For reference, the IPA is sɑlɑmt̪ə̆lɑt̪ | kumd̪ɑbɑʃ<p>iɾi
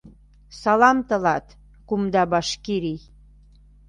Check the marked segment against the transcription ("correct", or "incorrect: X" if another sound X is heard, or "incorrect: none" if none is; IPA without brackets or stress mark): incorrect: k